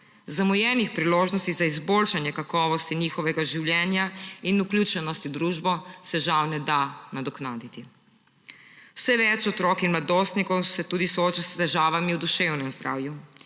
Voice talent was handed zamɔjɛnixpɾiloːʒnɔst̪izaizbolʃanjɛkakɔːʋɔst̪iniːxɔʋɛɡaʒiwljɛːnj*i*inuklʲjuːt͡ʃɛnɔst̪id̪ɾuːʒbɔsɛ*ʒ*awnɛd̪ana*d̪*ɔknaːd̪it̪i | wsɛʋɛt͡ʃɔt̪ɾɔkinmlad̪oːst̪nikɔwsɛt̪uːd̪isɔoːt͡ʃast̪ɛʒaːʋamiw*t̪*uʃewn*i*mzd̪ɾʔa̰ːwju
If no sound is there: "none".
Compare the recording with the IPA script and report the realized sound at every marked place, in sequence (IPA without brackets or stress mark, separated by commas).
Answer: a, ʒ, d̪, d̪, ɛ